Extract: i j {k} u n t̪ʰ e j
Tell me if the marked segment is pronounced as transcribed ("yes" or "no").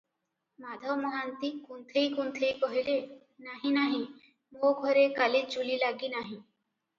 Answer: yes